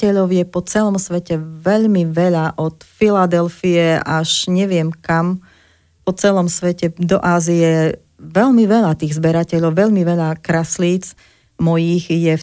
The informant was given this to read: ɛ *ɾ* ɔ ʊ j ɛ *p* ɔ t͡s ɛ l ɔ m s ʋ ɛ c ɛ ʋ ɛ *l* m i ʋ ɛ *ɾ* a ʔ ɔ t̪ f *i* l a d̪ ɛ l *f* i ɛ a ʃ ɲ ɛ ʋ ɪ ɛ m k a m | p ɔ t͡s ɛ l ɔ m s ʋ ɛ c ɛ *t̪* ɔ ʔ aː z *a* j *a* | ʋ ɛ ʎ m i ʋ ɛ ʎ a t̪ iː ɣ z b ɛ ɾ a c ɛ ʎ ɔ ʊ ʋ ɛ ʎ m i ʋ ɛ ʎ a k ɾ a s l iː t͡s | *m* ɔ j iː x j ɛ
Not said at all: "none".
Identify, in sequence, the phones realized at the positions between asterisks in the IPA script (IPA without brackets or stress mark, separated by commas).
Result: ʎ, p, ʎ, ʎ, i, f, d̪, i, ɛ, m